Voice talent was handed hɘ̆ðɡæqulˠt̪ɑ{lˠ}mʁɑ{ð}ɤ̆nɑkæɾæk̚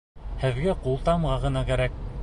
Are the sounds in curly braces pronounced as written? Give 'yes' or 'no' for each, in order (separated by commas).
no, no